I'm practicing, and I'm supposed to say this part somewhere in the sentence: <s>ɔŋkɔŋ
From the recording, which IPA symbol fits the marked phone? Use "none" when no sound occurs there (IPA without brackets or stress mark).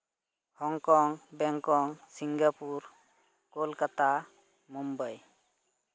h